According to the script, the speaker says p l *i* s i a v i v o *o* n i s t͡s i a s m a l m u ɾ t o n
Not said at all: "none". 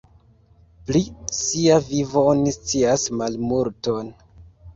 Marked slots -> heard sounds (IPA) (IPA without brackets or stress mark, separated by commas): i, o